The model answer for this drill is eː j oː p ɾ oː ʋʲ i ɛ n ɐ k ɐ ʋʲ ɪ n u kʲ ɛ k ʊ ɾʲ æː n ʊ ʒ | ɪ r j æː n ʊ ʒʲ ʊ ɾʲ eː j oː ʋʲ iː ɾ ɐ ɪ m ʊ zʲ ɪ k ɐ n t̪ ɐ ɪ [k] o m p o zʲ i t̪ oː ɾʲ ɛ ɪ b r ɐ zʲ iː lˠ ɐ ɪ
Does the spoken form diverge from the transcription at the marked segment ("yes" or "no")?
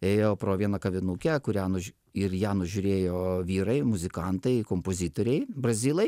no